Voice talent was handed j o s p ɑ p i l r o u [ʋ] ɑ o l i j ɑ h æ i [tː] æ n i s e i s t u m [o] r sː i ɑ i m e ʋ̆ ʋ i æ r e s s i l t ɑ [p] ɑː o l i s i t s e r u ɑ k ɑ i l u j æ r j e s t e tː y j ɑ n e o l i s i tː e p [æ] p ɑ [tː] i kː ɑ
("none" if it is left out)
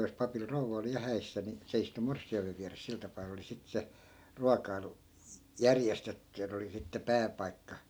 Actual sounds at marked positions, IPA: ʋ, sː, o, p, æː, none

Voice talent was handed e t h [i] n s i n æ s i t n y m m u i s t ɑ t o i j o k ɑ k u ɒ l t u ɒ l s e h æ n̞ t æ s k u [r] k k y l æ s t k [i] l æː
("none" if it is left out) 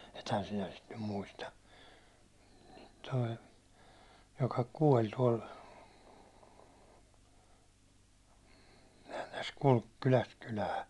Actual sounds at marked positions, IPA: æ, l, y

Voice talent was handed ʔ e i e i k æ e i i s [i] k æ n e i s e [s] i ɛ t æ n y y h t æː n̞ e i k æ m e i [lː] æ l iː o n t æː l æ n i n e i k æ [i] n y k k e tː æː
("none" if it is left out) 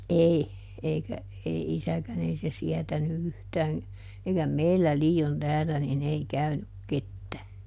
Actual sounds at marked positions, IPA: æ, s, lː, y

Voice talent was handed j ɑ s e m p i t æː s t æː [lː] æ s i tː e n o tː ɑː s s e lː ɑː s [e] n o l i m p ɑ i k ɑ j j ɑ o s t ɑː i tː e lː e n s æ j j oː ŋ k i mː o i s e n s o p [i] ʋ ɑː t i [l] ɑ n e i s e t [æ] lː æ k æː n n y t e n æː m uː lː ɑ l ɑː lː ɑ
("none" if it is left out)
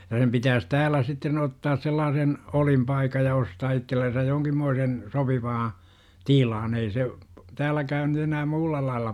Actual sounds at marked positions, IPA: l, e, i, l, æː

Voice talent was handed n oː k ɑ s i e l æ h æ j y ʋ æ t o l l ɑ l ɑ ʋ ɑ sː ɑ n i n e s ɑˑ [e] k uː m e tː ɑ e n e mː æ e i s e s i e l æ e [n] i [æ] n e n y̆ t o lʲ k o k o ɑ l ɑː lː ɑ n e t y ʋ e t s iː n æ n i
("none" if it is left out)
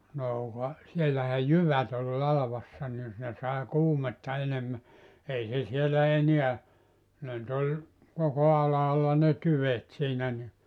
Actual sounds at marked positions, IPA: e, n, æ

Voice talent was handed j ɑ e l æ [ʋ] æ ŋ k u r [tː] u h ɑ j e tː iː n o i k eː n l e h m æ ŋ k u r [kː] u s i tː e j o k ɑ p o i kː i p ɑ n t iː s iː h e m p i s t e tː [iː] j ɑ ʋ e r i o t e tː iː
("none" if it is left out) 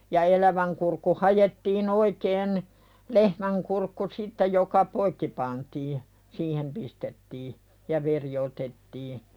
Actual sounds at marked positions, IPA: ʋ, kː, kː, iː

